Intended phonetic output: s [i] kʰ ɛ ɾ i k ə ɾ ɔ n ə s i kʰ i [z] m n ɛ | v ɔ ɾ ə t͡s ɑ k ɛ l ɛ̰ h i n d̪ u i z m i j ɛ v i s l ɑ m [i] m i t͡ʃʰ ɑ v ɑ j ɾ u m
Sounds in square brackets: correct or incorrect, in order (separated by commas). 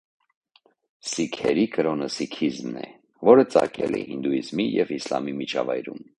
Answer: correct, correct, correct